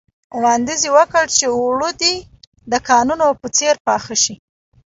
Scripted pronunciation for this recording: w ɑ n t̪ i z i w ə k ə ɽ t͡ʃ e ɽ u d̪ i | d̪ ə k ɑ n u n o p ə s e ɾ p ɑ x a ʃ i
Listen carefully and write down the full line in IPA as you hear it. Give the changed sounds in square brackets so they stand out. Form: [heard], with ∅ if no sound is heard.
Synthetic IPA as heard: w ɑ n [d̪] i z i w ə k ə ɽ t͡ʃ e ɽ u d̪ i | d̪ ə k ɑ n u n o p ə [t͡s] e ɾ p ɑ x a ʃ i

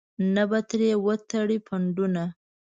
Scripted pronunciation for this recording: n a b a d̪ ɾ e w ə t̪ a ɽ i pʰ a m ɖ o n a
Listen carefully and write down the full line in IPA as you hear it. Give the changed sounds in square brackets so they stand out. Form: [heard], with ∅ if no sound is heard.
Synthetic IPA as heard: n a b a [t̪] ɾ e w ə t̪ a ɽ i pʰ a [ɳ] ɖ [u] n a

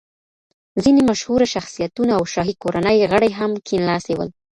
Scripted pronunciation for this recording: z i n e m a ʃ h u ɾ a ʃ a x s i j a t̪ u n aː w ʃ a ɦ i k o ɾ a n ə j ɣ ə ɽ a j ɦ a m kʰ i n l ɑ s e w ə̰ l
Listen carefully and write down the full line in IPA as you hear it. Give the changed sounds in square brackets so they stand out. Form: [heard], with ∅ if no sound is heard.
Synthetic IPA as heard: z i n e m a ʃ h u ɾ a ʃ a x s i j a t̪ u n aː w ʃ [ɑ] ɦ i k o ɾ a n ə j ɣ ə ɽ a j ɦ a m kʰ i n l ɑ s e w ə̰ l

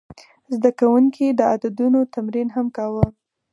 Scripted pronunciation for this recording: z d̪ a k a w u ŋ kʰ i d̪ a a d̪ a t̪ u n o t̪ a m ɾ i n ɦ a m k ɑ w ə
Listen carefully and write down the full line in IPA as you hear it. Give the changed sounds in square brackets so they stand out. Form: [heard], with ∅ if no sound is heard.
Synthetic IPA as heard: z d̪ a k a w u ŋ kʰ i d̪ [ə] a d̪ a [d̪] u n o t̪ a m ɾ i n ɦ a m k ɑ w ə

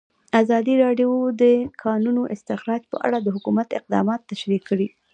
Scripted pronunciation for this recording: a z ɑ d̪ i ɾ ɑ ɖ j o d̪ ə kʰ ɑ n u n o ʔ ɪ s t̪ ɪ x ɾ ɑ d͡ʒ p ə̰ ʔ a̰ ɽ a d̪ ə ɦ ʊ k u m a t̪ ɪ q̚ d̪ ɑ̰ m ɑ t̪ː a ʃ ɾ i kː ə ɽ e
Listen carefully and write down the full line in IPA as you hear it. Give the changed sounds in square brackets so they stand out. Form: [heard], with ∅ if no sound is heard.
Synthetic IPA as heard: a z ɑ d̪ i ɾ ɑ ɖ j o d̪ ə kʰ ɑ n u n o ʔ ɪ s t̪ ɪ x ɾ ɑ d͡ʒ p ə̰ ʔ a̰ ɽ a d̪ ə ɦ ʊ k u m a t̪ ɪ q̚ d̪ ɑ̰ m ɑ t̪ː a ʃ ɾ i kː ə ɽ [i]

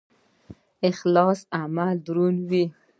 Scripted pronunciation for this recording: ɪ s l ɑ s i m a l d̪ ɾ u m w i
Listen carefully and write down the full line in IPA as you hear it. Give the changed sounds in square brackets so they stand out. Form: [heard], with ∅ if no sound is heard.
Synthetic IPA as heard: ɪ [x] l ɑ s [a] m a l d̪ ɾ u [n] w i

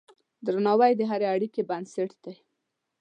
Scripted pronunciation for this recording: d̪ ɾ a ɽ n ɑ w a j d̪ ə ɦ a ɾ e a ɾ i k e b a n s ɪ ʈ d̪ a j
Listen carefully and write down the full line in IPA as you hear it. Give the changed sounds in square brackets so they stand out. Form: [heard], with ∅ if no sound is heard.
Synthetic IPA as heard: d̪ ɾ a [∅] n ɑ w a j d̪ ə ɦ a ɾ e a [ɽ] i k e b a n s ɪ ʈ d̪ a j

